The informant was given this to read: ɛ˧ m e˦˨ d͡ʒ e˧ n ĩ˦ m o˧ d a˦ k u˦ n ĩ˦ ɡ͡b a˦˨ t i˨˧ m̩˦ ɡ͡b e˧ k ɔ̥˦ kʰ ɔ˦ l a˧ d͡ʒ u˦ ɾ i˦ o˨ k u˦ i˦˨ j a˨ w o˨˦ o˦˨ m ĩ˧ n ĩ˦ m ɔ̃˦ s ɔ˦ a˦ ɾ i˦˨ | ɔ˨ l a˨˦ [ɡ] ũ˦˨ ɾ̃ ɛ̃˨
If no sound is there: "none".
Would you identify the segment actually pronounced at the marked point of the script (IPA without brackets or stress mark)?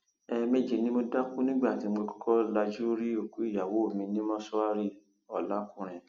k